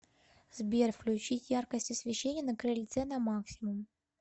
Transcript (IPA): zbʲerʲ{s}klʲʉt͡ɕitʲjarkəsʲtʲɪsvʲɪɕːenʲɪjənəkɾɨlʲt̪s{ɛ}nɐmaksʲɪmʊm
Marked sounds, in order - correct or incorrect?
incorrect: f, correct

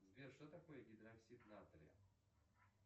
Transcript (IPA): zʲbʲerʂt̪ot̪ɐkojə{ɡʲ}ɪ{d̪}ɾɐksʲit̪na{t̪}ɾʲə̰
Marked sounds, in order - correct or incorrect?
correct, correct, correct

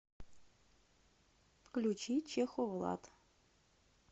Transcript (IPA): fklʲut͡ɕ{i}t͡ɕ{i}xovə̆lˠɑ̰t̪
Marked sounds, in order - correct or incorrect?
correct, incorrect: e

